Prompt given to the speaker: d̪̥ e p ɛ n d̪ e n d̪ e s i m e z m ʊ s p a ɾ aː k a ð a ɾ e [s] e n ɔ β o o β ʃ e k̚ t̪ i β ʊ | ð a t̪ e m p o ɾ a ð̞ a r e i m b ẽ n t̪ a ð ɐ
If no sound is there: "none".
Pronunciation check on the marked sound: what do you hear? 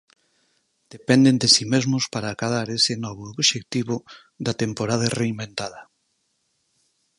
s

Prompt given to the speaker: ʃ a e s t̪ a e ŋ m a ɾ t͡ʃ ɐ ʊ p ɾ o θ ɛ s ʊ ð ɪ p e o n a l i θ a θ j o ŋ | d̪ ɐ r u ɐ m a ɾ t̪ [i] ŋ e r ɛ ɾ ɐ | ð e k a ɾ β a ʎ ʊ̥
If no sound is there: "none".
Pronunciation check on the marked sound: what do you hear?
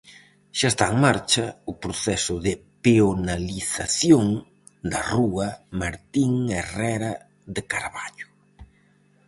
i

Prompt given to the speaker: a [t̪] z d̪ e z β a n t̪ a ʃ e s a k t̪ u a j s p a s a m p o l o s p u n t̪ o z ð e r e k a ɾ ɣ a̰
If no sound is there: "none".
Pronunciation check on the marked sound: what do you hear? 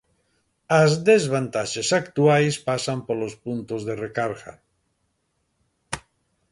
none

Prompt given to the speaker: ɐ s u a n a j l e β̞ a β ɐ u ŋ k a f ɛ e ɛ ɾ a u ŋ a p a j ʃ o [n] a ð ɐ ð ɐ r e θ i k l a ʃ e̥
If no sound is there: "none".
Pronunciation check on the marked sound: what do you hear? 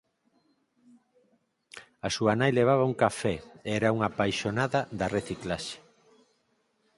n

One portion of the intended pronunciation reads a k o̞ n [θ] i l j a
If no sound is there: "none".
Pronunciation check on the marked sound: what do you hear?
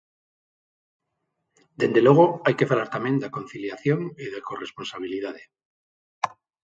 θ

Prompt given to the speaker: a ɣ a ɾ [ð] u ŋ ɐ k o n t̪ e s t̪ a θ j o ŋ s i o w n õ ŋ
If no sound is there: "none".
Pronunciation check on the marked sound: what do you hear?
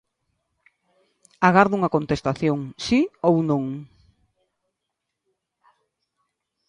ð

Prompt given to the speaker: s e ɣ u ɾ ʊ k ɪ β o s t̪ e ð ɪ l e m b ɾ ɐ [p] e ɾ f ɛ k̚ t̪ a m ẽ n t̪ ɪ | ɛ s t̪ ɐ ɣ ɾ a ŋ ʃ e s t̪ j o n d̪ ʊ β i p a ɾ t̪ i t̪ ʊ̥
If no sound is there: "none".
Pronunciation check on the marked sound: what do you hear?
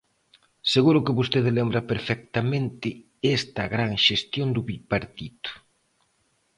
p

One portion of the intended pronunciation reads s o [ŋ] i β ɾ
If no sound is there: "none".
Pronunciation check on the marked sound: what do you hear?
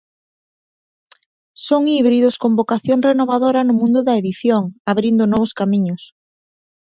ŋ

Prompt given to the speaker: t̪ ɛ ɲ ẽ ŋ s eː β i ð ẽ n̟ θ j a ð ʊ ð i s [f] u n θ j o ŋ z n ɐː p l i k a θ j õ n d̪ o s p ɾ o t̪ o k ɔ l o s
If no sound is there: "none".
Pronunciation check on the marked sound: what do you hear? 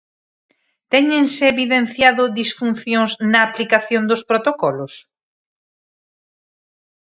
f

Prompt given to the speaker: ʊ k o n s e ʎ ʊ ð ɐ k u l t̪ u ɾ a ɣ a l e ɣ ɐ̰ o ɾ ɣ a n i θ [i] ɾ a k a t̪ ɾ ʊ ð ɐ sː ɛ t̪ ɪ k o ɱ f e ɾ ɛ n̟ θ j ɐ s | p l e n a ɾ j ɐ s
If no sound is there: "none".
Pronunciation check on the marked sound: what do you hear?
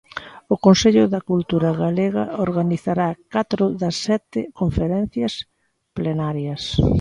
a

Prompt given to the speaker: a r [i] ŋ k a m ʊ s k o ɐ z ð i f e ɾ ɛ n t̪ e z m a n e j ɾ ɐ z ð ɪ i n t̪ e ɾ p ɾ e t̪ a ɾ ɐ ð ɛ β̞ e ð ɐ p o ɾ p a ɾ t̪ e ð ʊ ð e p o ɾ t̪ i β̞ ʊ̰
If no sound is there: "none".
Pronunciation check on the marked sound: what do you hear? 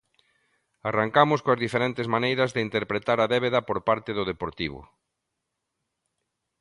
a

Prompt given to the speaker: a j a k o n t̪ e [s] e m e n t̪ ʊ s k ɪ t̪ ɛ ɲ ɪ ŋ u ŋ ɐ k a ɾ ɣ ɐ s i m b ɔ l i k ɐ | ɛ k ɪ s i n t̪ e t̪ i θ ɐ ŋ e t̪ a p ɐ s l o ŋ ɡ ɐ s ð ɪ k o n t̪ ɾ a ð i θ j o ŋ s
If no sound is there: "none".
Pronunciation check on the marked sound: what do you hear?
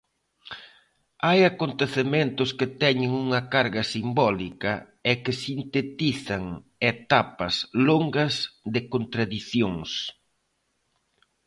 θ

